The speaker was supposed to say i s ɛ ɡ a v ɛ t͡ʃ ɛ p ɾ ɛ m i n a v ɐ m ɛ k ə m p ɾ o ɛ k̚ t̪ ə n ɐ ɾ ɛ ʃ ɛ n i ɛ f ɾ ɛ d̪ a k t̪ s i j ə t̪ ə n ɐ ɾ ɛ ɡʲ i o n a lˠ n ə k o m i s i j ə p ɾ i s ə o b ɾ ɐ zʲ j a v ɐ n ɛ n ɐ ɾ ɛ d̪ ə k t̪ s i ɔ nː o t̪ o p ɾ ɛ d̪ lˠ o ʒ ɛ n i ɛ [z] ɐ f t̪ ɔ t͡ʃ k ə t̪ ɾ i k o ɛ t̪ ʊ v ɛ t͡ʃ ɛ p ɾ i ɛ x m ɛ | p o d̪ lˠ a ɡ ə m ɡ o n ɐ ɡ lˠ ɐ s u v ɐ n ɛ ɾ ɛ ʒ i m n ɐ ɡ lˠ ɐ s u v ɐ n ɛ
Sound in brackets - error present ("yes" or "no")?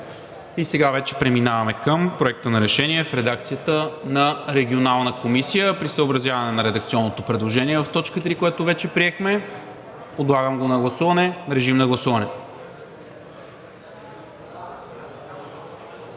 yes